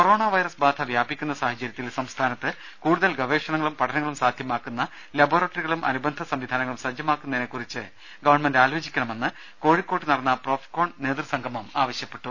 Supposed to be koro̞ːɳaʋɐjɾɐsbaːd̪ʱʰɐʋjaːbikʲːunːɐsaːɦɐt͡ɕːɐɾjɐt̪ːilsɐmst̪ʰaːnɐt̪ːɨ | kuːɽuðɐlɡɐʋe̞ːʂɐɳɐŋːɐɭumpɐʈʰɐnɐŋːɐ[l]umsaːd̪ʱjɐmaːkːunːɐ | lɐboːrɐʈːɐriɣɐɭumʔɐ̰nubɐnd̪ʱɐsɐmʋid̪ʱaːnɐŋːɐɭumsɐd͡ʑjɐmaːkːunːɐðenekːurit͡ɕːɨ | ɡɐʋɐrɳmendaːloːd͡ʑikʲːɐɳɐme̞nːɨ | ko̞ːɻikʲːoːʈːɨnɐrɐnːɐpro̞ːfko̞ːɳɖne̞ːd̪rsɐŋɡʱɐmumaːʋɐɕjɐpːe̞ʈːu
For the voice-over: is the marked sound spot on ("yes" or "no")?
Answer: no